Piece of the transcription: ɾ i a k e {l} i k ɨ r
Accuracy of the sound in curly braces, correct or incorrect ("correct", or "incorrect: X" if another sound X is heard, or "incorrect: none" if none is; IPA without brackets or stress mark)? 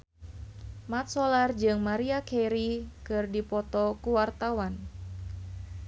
incorrect: ɾ